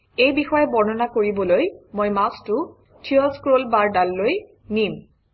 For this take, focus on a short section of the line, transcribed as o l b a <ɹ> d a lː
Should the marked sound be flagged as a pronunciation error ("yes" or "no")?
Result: no